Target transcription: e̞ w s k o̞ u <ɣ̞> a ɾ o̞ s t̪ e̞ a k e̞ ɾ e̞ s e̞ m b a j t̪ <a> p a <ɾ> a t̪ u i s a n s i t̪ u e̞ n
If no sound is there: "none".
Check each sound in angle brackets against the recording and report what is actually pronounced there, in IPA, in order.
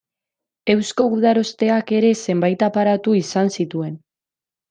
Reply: ð̞, a, ɾ

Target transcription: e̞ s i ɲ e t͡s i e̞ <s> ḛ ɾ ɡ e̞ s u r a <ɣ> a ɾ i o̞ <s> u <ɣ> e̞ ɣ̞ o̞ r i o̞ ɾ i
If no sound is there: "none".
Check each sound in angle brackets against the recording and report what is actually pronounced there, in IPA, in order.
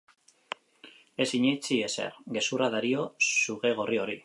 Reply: s, ð, s, ɣ

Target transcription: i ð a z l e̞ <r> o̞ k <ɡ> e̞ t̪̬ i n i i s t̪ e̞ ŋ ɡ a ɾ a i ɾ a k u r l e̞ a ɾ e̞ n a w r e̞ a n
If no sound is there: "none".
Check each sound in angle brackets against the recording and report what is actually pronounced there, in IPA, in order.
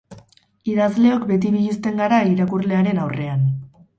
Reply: none, b

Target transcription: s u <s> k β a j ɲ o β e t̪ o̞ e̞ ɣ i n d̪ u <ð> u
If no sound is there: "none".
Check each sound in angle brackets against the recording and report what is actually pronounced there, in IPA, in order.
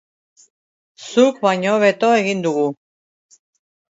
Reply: none, ɣ

